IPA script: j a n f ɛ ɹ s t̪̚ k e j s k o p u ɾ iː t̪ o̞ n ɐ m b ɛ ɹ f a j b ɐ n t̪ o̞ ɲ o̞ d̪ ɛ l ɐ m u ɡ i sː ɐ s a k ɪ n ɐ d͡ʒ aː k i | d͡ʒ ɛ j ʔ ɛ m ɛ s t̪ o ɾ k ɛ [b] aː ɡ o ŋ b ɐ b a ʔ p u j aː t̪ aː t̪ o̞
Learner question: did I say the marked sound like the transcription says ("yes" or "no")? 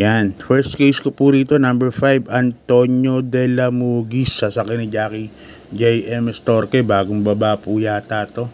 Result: yes